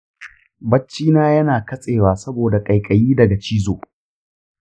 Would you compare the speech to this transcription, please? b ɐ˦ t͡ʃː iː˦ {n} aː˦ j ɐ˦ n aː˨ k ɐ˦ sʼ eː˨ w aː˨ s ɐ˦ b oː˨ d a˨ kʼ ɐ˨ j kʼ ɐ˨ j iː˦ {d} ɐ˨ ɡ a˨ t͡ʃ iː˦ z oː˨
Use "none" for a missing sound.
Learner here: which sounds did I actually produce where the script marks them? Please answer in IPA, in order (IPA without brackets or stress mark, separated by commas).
n, d